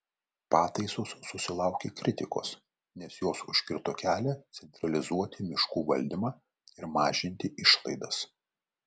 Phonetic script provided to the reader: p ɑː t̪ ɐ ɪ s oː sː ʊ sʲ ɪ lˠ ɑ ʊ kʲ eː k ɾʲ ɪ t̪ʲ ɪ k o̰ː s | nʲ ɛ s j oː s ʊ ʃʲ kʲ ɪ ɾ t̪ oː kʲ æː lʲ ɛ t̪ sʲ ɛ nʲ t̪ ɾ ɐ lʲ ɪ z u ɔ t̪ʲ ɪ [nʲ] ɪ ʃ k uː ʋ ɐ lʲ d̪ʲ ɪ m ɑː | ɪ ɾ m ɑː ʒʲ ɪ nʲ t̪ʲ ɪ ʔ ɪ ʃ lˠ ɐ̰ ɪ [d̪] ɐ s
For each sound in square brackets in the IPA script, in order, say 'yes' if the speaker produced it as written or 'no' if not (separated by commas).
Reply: no, yes